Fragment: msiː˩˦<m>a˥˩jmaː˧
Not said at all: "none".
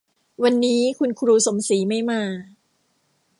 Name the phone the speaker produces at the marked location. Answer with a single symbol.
m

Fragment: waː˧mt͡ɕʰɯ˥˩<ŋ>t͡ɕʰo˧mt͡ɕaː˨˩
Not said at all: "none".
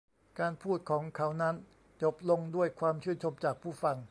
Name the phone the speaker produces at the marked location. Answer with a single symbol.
n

